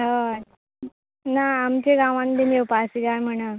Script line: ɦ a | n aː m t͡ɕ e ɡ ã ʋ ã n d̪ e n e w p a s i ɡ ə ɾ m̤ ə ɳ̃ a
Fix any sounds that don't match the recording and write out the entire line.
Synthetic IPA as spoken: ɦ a | n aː m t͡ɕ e ɡ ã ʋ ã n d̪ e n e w p a s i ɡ a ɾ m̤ ə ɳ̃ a